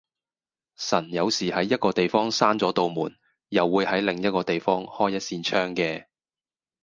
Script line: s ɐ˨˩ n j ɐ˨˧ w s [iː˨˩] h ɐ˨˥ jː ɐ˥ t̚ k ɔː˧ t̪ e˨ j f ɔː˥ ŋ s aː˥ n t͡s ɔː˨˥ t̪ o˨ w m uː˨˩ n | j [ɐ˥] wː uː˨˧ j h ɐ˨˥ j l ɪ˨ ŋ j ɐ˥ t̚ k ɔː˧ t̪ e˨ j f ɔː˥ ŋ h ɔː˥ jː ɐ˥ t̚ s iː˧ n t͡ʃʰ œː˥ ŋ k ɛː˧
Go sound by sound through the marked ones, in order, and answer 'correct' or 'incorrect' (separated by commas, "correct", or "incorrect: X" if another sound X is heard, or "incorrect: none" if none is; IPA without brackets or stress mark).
correct, incorrect: ɐ˨